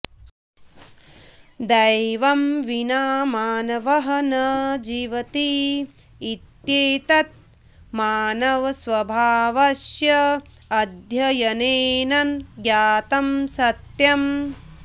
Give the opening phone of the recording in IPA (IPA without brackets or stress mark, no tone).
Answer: d̪